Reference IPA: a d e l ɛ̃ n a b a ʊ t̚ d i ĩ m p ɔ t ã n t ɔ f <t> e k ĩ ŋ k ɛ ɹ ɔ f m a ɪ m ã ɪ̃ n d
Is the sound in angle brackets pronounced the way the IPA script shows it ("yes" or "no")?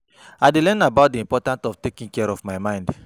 yes